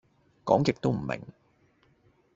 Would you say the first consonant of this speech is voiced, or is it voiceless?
voiceless